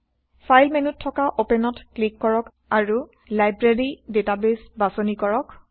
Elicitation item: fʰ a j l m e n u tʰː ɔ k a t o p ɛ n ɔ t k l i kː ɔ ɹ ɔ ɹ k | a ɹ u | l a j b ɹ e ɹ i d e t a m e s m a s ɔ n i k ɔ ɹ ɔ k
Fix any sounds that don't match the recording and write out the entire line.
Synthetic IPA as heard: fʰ a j l m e n u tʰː ɔ k a ʔ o p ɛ n ɔ t k l i kː ɔ ɹ ɔ k | a ɹ u | l a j b ɹ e ɹ i d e t a b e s b a s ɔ n i k ɔ ɹ ɔ k